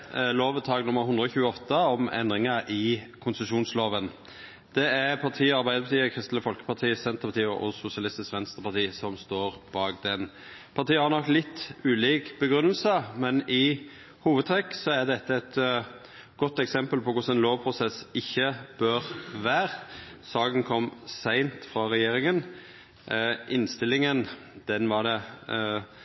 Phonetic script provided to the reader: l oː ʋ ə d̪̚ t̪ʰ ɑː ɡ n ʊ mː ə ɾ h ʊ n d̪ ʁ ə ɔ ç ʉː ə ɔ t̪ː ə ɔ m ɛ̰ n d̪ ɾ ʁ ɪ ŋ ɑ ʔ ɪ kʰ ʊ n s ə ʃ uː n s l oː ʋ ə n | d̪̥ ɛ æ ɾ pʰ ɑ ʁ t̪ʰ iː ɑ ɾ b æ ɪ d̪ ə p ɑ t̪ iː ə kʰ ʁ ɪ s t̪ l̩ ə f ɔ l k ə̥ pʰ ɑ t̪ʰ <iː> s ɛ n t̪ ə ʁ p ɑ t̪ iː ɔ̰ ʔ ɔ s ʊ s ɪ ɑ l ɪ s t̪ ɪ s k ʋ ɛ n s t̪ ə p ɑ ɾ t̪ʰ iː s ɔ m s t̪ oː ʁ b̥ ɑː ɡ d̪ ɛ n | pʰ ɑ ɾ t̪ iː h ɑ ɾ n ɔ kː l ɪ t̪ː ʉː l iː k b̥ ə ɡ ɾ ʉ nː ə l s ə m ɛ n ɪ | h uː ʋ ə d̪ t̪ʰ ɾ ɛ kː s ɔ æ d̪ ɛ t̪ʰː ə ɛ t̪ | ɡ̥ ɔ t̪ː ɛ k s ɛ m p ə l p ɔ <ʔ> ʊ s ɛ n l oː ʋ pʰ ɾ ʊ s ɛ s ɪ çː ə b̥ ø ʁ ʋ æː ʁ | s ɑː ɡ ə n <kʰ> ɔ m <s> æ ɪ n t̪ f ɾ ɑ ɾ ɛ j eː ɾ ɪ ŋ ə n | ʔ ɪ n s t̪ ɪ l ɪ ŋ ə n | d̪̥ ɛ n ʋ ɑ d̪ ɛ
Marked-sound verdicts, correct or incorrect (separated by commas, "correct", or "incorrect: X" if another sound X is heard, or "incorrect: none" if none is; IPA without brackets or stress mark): correct, incorrect: k, correct, correct